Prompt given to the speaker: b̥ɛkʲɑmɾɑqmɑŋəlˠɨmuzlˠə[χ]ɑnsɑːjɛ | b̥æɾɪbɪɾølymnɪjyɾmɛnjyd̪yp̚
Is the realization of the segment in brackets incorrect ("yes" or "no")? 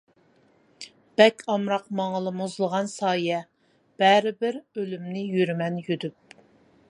yes